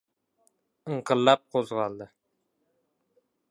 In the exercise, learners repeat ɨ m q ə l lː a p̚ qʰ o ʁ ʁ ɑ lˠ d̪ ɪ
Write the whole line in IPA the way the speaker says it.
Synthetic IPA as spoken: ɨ ɴ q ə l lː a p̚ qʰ o z ʁ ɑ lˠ d̪ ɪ